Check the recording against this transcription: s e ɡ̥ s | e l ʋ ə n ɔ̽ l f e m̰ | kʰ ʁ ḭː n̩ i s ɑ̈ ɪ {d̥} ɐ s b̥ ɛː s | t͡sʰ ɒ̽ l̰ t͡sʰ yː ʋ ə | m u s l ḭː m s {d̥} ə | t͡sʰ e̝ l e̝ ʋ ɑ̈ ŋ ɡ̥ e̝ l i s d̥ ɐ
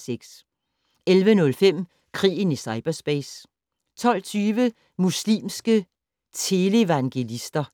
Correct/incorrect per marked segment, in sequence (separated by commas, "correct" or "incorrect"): incorrect, incorrect